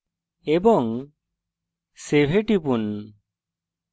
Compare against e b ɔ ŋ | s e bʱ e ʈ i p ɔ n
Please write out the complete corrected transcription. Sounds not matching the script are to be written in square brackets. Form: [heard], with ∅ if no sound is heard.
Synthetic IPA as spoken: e b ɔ ŋ | s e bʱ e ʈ i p [u] n